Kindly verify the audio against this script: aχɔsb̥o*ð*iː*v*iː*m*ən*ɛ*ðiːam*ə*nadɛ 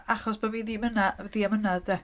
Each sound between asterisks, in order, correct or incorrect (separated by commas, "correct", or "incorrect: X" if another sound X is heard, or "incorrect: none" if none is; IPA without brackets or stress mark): incorrect: v, incorrect: ð, correct, incorrect: a, correct